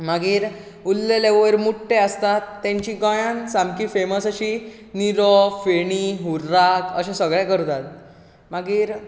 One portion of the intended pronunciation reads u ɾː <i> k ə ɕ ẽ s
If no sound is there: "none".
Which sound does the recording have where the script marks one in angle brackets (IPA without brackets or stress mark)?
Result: a